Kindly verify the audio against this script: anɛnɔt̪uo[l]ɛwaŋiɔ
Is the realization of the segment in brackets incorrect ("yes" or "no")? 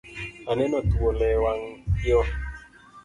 no